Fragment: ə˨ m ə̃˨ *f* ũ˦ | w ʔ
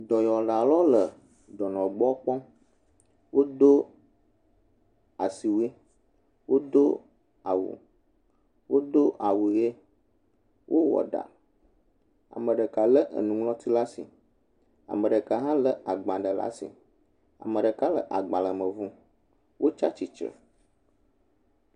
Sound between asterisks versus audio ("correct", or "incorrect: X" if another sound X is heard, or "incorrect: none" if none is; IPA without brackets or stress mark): incorrect: v